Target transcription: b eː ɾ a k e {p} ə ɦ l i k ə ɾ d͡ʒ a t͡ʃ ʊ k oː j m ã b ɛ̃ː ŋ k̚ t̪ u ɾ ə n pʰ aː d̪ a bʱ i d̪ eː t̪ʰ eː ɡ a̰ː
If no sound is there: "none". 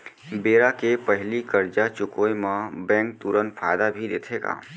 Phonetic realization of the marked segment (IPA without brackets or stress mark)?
p